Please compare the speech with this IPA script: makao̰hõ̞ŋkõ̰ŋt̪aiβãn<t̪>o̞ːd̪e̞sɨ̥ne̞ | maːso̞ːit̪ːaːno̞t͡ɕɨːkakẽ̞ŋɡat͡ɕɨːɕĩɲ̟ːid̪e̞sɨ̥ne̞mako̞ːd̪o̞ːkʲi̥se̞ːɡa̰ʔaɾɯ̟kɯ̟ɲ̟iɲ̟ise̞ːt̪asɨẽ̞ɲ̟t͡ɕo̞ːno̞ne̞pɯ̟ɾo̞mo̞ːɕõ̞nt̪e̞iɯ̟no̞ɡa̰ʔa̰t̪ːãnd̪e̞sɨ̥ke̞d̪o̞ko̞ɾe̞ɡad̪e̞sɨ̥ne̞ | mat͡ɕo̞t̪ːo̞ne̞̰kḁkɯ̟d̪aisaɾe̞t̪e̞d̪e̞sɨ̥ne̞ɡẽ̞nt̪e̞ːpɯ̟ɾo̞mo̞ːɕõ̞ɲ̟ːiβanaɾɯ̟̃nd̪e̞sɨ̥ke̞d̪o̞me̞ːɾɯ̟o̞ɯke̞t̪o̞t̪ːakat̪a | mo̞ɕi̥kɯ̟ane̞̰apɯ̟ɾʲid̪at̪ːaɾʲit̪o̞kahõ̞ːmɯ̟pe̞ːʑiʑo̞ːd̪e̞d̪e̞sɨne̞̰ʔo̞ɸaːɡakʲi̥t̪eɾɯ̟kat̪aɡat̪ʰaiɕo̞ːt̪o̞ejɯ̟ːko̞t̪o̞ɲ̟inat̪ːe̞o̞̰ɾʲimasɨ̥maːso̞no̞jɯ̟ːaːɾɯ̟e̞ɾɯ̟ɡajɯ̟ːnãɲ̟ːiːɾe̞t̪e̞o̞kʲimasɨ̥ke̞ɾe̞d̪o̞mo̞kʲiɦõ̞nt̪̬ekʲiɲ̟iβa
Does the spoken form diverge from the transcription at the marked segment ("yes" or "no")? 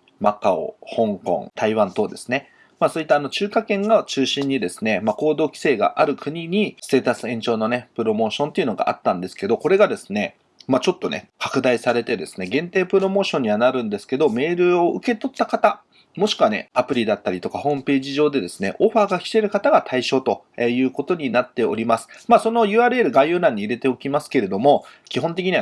no